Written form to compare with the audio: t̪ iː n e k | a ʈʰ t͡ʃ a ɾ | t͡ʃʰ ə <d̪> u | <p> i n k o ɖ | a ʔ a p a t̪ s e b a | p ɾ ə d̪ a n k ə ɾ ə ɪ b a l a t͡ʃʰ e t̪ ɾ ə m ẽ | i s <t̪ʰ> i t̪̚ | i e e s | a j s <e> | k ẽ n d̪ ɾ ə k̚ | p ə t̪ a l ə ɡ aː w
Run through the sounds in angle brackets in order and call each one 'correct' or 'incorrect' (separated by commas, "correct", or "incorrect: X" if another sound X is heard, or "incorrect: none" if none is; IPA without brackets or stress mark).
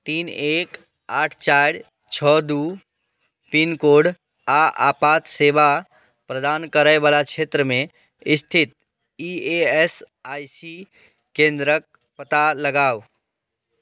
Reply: correct, correct, correct, incorrect: i